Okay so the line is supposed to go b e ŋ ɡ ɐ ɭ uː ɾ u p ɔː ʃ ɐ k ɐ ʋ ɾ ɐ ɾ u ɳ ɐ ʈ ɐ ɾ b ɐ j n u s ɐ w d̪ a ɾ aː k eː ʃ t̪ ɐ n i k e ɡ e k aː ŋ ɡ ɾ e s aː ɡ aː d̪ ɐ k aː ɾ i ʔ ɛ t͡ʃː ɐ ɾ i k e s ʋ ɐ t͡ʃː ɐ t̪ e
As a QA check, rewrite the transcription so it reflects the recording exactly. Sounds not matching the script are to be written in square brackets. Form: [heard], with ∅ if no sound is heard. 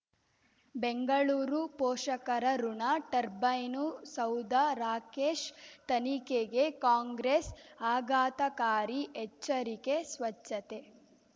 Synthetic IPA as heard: b e ŋ ɡ ɐ ɭ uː ɾ u p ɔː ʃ ɐ k ɐ [∅] ɾ ɐ ɾ u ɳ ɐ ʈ ɐ ɾ b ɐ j n u s ɐ w d̪ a ɾ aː k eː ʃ t̪ ɐ n i k e ɡ e k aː ŋ ɡ ɾ e s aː ɡ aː [t̪] ɐ k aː ɾ i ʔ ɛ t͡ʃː ɐ ɾ i k e s ʋ ɐ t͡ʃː ɐ t̪ e

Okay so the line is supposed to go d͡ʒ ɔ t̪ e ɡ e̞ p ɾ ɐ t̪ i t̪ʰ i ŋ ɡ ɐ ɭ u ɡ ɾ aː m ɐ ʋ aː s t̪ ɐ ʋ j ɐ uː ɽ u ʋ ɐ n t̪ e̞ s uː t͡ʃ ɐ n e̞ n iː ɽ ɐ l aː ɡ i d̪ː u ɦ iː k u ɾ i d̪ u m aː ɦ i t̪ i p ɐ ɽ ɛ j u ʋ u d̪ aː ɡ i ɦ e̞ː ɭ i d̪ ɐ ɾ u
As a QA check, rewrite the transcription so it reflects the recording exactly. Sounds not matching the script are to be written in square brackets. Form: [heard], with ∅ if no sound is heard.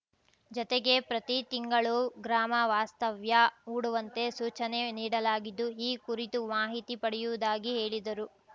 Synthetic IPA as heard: d͡ʒ ɔ t̪ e ɡ e̞ p ɾ ɐ t̪ i [t̪] i ŋ ɡ ɐ ɭ u ɡ ɾ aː m ɐ ʋ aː s t̪ ɐ ʋ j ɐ uː ɽ u ʋ ɐ n t̪ e̞ s uː t͡ʃ ɐ n e̞ n iː ɽ ɐ l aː ɡ i d̪ː u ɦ iː k u ɾ i [t̪] u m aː ɦ i t̪ i p ɐ ɽ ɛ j u ʋ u d̪ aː ɡ i ɦ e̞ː ɭ i d̪ ɐ ɾ u

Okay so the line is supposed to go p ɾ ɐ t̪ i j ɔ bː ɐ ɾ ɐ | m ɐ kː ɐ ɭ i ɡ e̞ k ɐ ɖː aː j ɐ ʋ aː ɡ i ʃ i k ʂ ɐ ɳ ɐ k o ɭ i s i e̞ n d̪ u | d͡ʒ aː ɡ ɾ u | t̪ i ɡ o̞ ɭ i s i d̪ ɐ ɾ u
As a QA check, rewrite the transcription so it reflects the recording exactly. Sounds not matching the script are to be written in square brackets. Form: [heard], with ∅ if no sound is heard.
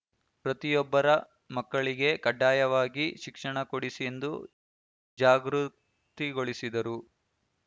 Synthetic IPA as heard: p ɾ ɐ t̪ i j ɔ bː ɐ ɾ ɐ | m ɐ kː ɐ ɭ i ɡ e̞ k ɐ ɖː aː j ɐ ʋ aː ɡ i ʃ i k ʂ ɐ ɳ ɐ k o [ɽ] i s i e̞ n d̪ u | d͡ʒ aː ɡ ɾ u | t̪ i ɡ o̞ ɭ i s i d̪ ɐ ɾ u

